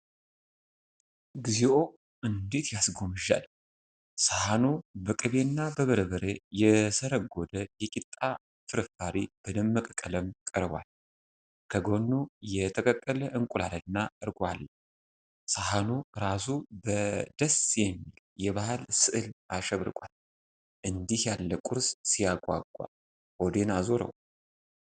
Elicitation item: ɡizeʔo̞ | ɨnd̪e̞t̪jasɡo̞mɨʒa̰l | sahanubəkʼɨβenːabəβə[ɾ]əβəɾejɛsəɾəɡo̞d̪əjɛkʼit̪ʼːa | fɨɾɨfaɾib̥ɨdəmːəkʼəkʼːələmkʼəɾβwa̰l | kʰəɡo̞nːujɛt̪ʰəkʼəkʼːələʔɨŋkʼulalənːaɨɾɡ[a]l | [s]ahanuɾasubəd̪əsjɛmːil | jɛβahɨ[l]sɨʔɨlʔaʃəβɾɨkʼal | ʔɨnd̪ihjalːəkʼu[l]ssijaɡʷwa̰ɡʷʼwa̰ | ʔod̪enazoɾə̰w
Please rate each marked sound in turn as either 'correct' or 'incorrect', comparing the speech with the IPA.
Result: correct, correct, correct, correct, incorrect: ɾ

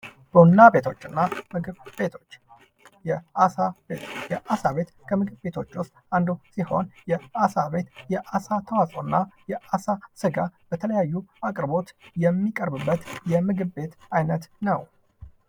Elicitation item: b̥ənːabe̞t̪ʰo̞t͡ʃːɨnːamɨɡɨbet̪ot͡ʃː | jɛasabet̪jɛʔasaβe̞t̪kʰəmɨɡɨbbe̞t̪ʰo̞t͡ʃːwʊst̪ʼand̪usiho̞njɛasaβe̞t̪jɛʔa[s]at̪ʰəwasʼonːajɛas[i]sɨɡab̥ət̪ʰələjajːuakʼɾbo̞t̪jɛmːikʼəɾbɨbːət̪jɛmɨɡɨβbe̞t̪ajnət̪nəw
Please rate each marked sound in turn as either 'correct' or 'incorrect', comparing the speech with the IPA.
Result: correct, incorrect: a

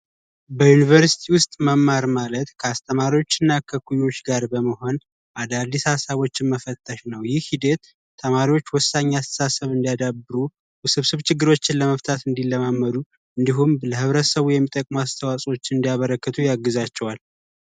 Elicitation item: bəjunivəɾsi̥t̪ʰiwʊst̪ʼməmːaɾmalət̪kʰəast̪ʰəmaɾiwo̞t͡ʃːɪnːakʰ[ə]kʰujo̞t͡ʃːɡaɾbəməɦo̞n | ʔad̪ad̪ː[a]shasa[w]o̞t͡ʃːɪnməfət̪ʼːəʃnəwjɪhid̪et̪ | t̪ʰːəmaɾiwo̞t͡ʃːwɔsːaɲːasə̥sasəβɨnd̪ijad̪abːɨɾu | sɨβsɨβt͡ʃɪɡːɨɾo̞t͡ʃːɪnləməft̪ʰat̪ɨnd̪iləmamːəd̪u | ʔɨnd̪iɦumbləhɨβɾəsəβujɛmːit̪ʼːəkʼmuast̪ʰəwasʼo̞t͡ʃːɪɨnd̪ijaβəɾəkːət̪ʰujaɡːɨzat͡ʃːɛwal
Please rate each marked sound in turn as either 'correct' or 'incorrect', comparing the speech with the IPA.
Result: correct, incorrect: i, incorrect: β

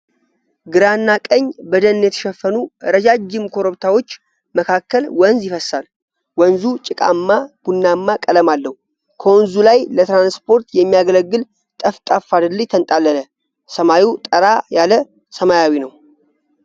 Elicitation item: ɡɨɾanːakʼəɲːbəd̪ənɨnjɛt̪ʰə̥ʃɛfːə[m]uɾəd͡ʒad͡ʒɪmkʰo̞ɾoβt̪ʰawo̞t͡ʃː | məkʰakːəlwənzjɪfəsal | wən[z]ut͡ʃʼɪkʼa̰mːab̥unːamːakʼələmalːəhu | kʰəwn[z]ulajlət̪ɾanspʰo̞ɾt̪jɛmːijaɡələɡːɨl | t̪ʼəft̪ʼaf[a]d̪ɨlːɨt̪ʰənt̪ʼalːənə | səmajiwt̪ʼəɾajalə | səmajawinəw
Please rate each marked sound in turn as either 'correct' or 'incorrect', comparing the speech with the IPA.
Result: incorrect: n, correct, correct, correct

